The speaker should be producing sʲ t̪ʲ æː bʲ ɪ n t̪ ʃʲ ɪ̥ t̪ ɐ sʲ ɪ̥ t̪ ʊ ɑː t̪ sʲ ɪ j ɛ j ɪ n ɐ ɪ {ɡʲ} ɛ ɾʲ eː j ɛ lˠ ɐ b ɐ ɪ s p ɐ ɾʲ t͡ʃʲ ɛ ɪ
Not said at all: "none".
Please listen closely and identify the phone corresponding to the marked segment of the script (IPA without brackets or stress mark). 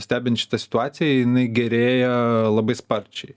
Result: ɡʲ